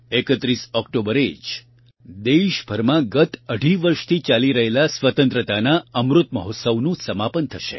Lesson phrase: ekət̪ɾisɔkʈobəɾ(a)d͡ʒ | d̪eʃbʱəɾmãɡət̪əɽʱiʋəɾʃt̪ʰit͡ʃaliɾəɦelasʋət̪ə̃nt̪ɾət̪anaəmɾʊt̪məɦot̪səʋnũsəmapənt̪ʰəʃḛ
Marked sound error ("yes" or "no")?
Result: yes